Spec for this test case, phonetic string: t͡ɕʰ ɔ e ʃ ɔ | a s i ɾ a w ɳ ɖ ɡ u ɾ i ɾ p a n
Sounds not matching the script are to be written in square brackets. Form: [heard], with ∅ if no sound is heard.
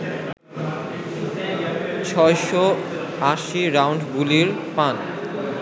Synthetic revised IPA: t͡ɕʰ ɔ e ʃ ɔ | a [ʃ] i ɾ a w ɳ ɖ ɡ u [l] i ɾ p a n